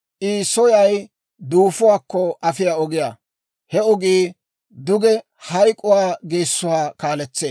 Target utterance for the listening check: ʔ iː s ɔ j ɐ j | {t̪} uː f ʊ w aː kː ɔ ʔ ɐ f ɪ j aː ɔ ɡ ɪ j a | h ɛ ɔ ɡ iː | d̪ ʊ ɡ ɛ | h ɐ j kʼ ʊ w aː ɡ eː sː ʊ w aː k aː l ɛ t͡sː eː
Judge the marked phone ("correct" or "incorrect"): incorrect